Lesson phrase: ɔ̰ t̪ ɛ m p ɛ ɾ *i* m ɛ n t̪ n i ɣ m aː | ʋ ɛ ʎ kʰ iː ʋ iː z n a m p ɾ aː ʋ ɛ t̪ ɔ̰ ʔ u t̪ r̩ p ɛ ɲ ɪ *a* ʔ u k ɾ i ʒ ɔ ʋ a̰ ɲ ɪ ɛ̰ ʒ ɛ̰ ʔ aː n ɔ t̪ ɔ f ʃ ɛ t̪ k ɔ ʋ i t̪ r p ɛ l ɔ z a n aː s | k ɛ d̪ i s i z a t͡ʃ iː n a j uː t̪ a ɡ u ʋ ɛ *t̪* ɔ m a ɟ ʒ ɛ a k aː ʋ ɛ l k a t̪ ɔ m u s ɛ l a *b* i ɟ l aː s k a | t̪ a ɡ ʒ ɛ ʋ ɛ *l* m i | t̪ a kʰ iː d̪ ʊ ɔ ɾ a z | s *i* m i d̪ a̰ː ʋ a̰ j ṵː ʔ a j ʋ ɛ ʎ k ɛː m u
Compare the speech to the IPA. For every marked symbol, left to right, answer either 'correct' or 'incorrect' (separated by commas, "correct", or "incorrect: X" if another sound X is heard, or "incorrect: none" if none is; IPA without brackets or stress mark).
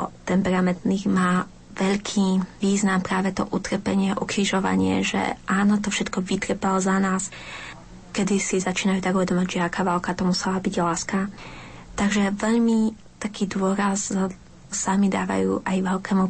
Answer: incorrect: a, incorrect: ɛ, incorrect: d̪, correct, incorrect: ʎ, incorrect: a